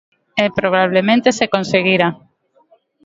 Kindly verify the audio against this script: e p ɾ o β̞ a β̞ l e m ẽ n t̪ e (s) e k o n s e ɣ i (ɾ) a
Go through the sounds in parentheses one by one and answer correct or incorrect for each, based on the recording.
correct, correct

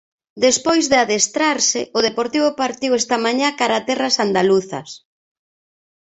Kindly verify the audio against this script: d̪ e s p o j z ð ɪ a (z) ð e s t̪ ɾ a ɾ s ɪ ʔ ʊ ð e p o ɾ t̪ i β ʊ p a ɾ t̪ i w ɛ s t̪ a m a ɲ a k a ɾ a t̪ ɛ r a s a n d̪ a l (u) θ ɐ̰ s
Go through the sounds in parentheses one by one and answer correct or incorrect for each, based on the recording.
incorrect: none, correct

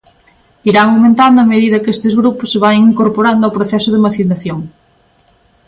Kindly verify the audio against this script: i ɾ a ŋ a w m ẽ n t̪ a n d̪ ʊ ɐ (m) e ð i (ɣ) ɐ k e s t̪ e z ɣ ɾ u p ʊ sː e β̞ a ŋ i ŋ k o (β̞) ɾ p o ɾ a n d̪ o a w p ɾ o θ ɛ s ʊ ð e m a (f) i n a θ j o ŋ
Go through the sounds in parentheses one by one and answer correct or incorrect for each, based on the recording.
correct, incorrect: ð, incorrect: none, incorrect: θ

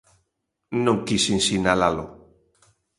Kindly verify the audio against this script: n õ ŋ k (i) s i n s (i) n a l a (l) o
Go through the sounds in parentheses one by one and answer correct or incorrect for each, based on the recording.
correct, correct, correct

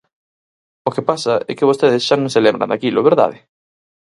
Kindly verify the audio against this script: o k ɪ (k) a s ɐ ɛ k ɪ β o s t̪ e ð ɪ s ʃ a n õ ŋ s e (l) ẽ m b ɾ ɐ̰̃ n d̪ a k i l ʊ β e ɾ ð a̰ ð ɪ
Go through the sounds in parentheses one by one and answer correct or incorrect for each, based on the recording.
incorrect: p, correct

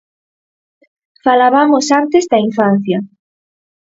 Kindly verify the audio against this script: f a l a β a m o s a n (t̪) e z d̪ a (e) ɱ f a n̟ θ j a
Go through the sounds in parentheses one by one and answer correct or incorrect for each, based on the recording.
correct, incorrect: i

